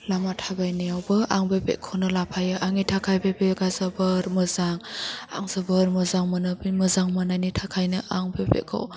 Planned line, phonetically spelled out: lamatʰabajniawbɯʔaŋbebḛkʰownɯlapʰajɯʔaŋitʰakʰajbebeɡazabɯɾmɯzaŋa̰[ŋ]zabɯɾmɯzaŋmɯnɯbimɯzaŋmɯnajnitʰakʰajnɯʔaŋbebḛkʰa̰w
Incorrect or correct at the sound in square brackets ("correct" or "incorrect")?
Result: correct